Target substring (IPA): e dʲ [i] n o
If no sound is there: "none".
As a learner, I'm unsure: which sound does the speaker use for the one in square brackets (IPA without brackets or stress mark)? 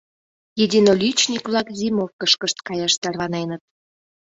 i